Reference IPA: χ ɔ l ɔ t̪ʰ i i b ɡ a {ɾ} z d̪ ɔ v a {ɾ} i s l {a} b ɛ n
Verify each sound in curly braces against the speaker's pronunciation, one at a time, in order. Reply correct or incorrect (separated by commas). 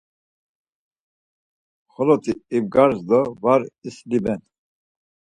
correct, correct, incorrect